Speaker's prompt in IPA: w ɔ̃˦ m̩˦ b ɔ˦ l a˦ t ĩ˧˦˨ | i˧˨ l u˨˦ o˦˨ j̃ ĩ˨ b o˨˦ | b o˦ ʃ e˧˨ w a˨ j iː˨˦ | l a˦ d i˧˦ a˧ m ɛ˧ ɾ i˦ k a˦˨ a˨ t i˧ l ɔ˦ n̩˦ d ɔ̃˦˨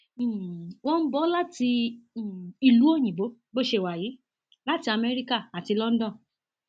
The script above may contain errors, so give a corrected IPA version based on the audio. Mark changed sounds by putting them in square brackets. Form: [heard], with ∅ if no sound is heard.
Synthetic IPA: w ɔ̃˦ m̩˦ b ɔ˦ l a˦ t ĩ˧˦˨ | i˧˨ l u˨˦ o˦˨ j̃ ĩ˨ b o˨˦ | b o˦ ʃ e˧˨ w a˨ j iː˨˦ | l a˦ [t] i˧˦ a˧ m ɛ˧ ɾ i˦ k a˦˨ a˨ t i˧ l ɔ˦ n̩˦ d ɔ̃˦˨